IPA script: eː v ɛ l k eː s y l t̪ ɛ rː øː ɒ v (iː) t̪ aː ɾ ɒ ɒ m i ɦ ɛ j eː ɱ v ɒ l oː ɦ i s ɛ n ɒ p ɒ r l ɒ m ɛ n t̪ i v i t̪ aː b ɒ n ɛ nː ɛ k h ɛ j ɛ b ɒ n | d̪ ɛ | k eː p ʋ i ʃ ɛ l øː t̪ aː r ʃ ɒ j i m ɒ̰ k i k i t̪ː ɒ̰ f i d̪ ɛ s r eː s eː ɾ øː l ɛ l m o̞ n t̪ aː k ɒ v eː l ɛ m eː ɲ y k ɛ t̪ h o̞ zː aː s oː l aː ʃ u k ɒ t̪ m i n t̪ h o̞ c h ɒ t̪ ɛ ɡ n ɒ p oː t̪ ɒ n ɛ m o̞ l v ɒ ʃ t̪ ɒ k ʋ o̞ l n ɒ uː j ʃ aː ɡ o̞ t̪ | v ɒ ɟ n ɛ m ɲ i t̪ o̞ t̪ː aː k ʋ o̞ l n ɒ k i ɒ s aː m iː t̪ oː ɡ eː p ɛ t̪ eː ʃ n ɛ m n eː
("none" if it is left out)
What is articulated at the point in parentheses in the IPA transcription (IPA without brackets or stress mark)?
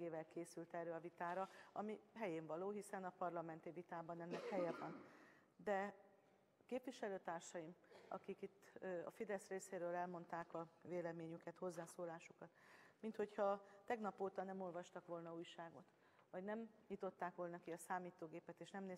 i